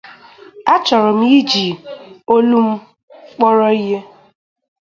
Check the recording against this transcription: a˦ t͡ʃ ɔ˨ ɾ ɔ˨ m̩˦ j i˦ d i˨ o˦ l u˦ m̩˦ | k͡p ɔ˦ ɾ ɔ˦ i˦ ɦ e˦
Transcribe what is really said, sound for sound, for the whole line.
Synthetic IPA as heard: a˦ t͡ʃ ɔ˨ ɾ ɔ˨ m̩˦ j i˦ d͡ʒ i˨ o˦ l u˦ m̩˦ | k͡p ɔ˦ ɾ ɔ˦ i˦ ɦ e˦